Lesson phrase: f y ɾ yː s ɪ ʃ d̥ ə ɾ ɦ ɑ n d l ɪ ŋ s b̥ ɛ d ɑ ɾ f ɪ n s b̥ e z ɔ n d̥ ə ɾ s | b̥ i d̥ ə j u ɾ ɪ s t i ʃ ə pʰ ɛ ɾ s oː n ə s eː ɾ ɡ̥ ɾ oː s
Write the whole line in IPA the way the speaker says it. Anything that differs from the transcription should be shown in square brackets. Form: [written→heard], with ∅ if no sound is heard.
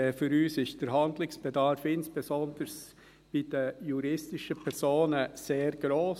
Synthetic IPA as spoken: f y ɾ yː s ɪ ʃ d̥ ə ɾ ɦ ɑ n d l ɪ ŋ s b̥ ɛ d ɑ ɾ f ɪ n s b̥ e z ɔ n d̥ ə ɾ s | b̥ i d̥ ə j u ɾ ɪ s t [i→ɪ] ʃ ə pʰ ɛ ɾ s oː n ə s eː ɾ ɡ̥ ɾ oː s

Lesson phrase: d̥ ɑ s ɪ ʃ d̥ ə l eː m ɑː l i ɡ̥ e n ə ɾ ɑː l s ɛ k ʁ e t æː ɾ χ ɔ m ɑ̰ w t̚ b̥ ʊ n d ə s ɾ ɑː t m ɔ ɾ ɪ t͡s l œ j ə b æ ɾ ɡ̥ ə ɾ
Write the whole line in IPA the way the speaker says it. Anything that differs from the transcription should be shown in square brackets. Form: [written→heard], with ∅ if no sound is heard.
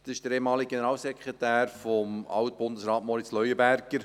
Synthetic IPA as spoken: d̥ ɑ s ɪ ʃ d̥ ə [l→ɾ] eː m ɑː l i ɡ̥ e n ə ɾ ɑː l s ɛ k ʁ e t æː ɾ [χ→f] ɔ m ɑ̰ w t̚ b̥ ʊ n d ə s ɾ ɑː t m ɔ ɾ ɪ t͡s l œ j ə b æ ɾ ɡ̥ ə ɾ

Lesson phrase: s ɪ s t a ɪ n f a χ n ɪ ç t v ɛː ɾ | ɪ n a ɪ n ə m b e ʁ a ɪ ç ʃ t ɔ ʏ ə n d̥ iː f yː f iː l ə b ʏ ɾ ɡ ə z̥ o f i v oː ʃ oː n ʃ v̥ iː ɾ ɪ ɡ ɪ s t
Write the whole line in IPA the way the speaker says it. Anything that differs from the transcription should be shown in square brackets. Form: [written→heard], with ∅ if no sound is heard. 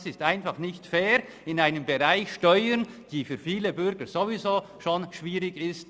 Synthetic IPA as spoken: s ɪ s t a ɪ n f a χ n ɪ ç t [v→f] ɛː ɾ | ɪ n a ɪ n ə m b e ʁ a ɪ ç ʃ t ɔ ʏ ə n d̥ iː f yː f iː l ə b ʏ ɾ ɡ ə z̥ o [f→v] i [v→z] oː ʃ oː n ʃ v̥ iː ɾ ɪ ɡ ɪ s t

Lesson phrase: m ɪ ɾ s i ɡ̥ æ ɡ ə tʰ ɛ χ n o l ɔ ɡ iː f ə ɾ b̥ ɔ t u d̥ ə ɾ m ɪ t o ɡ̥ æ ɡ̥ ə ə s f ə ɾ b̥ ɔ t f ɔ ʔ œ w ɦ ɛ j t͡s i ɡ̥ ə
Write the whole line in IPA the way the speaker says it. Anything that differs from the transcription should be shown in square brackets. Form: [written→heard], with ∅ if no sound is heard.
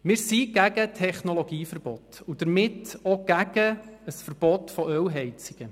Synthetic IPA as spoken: m ɪ ɾ s i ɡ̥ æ ɡ ə tʰ ɛ χ n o l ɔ ɡ iː f ə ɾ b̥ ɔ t u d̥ ə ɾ m ɪ t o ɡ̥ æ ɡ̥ ə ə s f ə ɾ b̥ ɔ t f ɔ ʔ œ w ɦ ɛ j t͡s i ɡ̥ ə

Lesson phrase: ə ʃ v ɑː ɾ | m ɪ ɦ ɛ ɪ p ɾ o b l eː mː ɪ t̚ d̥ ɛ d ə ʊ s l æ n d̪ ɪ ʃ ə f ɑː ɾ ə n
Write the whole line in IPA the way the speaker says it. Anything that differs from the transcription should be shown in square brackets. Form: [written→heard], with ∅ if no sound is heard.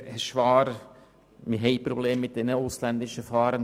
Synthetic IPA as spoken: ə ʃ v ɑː ɾ | m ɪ ɦ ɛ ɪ p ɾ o b l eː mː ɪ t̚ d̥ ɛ [d→n] ə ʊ s l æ n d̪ ɪ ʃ ə f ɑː ɾ ə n

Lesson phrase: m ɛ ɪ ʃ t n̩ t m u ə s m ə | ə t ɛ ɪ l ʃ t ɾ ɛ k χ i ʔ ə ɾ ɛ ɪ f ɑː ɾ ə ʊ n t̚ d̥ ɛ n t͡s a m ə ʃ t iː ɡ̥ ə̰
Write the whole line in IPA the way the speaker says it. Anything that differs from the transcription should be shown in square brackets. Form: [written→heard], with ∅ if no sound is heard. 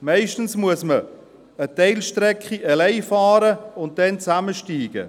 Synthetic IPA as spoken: m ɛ ɪ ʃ t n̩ [t→s] m u ə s m ə | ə t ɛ ɪ l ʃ t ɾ ɛ k χ i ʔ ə [ɾ→l] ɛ ɪ f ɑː ɾ ə ʊ n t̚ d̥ ɛ n t͡s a m ə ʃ t iː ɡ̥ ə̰

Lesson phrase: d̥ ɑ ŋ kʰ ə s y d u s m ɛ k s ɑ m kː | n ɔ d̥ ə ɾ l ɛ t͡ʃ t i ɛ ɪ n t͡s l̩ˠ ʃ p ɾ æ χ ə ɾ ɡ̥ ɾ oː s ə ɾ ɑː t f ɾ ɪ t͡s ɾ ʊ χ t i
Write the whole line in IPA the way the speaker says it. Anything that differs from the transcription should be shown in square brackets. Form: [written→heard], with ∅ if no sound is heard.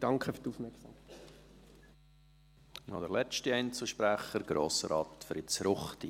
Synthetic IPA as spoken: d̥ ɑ ŋ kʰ ə [s→f] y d u [s→f] m ɛ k s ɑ m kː | n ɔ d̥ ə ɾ l ɛ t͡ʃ t i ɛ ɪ n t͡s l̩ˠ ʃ p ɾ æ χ ə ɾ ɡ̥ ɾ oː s ə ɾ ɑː t f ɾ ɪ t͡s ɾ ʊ χ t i

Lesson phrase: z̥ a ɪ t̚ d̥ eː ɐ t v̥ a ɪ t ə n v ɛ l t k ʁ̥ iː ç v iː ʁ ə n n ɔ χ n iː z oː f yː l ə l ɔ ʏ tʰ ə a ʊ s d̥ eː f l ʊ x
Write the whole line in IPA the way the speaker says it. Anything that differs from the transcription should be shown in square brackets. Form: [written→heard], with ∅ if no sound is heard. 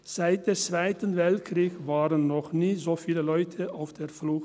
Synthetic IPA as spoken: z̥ a ɪ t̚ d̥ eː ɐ [t→t͡s] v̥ a ɪ t ə n v ɛ l t k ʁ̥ iː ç v [iː→aː] ʁ ə n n ɔ χ n iː z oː f [yː→iː] l ə l ɔ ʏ tʰ ə a ʊ [s→f] d̥ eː f l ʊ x

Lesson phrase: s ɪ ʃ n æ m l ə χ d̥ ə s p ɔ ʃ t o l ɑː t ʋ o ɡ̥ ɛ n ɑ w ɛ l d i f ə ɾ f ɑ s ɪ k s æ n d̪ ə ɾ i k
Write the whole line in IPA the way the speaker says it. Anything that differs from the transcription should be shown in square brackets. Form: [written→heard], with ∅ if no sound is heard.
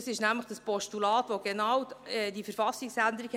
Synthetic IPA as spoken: s ɪ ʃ n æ m l ə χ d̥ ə s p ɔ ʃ t [o→u] l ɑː t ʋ o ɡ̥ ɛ n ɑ w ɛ [l→∅] d i f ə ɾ f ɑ s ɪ k s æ n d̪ ə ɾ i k

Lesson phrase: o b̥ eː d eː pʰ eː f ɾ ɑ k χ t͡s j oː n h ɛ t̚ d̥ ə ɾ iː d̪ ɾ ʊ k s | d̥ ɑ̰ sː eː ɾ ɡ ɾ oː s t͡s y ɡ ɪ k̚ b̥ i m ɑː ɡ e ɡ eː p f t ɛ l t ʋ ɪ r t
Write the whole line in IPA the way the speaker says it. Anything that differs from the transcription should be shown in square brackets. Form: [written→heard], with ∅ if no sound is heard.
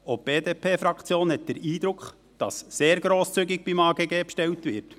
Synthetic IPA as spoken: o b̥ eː d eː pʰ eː f ɾ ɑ k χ t͡s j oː n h ɛ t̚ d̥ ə ɾ iː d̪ ɾ ʊ k [s→χ] | d̥ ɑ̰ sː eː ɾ ɡ ɾ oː s t͡s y ɡ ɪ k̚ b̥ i m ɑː ɡ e ɡ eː p [f→ʃ] t ɛ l t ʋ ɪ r t

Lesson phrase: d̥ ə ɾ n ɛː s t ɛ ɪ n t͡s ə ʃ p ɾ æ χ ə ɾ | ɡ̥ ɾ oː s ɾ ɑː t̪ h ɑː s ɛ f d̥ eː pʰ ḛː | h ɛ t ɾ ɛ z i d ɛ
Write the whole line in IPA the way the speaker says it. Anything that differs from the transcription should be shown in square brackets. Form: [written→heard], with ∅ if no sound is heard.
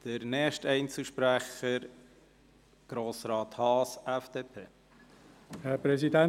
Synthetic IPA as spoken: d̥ ə ɾ n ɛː [s→ʃ] t ɛ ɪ n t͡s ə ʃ p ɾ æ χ ə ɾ | ɡ̥ ɾ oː s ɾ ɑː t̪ h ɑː s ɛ f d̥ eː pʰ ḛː | h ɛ [t→p] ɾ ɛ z i d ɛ

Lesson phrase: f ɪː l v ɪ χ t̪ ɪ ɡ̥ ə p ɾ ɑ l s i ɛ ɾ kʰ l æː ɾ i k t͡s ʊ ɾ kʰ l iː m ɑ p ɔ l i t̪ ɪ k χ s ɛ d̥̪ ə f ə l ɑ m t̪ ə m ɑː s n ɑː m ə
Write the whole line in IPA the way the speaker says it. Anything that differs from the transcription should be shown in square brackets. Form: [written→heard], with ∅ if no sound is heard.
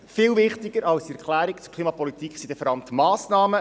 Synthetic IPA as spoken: f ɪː l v ɪ χ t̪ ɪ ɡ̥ ə [p→∅] ɾ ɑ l s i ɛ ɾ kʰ l æː ɾ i k t͡s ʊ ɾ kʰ l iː m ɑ p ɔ l i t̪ [ɪ→i] k χ s [ɛ→i] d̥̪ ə f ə [l→ɾ] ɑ m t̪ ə m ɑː s n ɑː m ə

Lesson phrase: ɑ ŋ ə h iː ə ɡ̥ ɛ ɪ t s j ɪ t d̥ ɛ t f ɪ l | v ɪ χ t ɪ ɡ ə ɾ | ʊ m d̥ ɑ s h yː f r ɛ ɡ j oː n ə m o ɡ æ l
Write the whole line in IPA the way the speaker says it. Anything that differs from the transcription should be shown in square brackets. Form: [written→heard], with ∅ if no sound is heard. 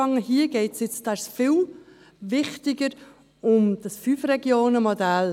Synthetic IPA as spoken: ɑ ŋ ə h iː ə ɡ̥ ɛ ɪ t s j ɪ [t→t͡s] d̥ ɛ [t→s] f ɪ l | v ɪ χ t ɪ ɡ ə ɾ | ʊ m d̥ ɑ s [h→f] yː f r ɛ ɡ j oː n ə m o [ɡ→d] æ l

